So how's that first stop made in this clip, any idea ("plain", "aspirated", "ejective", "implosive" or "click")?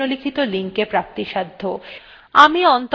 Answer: aspirated